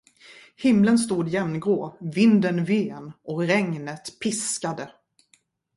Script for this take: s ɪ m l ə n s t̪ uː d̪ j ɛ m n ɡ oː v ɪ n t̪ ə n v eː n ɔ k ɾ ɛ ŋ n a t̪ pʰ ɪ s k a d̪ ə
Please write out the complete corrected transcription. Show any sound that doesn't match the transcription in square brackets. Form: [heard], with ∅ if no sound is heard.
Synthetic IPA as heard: [h] ɪ m l ə n s t̪ uː d̪ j ɛ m n ɡ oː v ɪ n [d̪] ə n v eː n ɔ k ɾ ɛ ŋ n [ə] t̪ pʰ ɪ s k a d̪ ə